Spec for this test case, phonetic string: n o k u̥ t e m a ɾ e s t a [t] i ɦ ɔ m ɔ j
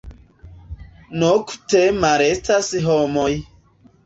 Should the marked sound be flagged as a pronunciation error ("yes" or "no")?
yes